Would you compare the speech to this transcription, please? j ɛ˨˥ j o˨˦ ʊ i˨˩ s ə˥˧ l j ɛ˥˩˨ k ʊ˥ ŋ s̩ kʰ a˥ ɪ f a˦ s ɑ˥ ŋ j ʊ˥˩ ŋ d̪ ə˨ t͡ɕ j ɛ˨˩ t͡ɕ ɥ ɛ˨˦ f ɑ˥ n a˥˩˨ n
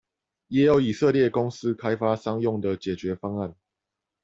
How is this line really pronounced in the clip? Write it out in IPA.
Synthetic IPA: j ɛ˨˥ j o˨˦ ʊ i˨˩ s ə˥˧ l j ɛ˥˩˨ k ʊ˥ ŋ s̩ kʰ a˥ ɪ f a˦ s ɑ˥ ŋ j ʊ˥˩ ŋ d̪ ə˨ t͡ɕ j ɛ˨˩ t͡ɕ ɥ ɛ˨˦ f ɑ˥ ŋ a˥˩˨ n